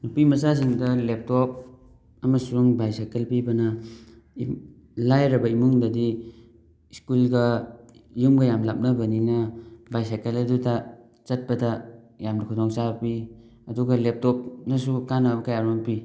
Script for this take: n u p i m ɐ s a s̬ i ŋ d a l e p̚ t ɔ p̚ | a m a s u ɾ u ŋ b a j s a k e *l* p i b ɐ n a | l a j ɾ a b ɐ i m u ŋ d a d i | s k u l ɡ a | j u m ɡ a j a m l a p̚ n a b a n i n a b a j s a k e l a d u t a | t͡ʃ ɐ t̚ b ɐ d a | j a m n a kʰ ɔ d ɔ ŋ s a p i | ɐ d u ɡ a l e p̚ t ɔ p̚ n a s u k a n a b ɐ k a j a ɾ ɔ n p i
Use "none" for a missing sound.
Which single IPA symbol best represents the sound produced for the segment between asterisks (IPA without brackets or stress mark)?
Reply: l